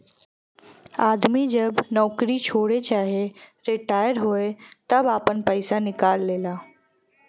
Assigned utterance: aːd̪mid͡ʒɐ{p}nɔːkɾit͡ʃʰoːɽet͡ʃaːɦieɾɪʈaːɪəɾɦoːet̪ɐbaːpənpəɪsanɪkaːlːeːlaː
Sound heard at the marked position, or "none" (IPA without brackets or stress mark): b